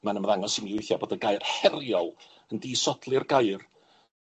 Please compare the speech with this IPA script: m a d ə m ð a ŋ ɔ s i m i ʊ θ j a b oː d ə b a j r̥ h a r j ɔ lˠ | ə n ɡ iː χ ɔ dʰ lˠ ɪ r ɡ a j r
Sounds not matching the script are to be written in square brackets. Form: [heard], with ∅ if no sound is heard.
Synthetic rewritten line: m a [n] ə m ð a ŋ ɔ s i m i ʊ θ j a b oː d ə [ɡ] a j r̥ h [ɛ] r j ɔ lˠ | ə n [d] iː [s] ɔ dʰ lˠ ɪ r ɡ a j r